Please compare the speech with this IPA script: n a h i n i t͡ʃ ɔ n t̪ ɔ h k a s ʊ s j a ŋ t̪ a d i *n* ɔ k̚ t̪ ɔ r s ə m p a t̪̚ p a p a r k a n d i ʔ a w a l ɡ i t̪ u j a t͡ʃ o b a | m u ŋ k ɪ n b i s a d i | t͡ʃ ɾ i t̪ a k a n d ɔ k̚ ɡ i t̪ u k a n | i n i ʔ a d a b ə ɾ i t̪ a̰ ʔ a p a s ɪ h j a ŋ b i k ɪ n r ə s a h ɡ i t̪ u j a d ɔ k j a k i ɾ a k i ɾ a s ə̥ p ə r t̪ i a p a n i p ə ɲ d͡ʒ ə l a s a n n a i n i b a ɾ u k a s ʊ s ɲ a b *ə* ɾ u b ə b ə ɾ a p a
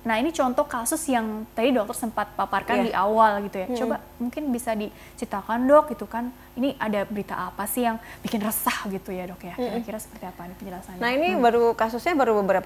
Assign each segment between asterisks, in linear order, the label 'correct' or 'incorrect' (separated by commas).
incorrect, incorrect